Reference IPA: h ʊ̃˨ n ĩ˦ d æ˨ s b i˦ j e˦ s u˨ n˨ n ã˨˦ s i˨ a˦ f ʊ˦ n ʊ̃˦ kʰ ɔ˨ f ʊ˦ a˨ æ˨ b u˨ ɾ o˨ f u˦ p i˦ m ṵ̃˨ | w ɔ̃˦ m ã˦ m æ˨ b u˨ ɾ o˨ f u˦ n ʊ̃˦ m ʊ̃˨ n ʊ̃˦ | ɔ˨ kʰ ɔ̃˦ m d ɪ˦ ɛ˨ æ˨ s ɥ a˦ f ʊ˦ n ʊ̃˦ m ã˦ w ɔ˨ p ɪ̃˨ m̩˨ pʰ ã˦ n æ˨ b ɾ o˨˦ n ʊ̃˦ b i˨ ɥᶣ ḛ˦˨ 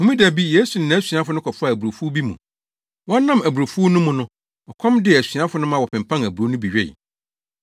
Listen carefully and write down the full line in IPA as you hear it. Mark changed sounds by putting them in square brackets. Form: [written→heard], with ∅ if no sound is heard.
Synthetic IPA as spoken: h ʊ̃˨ [n→m] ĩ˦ d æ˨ [s→∅] b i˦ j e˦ s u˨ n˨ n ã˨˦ s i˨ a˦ f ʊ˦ n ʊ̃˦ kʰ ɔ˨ f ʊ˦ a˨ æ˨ b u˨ ɾ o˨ f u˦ [p→b] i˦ m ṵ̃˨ | w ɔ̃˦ [m→n] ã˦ m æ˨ b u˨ ɾ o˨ f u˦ n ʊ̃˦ m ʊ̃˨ n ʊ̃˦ | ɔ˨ kʰ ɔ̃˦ m d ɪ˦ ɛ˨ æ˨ s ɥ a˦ f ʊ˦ n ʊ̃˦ m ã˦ w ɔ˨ p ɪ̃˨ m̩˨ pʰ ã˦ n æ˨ b ɾ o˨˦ n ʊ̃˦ b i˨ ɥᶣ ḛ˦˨

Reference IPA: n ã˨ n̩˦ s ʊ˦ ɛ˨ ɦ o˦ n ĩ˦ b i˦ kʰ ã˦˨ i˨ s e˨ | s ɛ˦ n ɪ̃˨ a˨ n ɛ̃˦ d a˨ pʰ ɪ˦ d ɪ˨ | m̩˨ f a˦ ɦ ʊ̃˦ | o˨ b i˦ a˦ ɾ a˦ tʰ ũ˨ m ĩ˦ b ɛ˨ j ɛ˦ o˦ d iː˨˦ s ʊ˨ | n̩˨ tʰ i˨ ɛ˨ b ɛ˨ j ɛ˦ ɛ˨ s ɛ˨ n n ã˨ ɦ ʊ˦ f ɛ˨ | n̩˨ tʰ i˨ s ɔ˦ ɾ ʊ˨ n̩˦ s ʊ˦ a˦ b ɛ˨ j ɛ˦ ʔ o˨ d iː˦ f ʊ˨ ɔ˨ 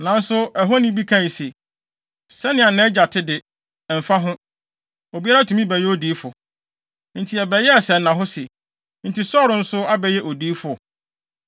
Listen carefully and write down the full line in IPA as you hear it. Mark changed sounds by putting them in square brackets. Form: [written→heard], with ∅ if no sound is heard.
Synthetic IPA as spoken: n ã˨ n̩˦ s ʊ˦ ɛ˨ ɦ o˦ n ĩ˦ b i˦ kʰ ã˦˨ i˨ s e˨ | s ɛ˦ n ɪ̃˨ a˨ n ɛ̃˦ [d→d͡ʑ] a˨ [pʰ→tʰ] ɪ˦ d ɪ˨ | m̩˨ f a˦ ɦ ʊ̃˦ | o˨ b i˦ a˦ ɾ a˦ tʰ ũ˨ m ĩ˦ b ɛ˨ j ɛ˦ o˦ d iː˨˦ [s→f] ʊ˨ | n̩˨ tʰ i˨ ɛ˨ b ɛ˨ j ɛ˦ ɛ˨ s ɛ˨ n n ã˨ ɦ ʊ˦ [f→s] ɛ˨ | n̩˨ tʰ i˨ s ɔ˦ ɾ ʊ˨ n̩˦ s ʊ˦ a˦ b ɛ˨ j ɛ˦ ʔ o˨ d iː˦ f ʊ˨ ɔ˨

